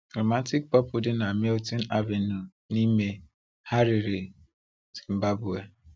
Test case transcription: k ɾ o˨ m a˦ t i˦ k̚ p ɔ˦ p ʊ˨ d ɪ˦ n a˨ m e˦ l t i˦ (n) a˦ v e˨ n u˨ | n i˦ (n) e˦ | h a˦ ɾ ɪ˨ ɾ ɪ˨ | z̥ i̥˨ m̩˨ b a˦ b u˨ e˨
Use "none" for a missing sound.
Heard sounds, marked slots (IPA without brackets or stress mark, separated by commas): n, m